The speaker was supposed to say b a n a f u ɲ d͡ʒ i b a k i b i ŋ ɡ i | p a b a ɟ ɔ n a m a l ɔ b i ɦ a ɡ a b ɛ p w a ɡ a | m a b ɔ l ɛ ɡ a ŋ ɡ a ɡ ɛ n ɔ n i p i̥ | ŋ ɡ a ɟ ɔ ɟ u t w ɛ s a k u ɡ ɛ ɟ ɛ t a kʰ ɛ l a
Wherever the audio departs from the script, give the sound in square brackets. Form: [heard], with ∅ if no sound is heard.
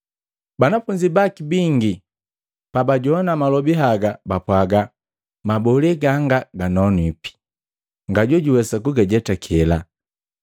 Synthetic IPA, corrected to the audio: b a n a f u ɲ d͡ʒ i b a k i b i ŋ ɡ i | p a b a ɟ ɔ n a m a l ɔ b i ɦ a ɡ a b [a] p w a ɡ a | m a b ɔ l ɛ ɡ a ŋ ɡ a ɡ [a] n ɔ n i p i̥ | ŋ ɡ a ɟ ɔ ɟ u [∅] w ɛ s a k u ɡ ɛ ɟ ɛ t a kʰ ɛ l a